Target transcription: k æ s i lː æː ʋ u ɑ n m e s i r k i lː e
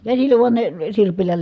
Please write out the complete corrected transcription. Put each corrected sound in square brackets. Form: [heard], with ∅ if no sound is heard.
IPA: k æ s i lː [æ] ʋ u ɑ n [n] e s i r [p] i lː [æ]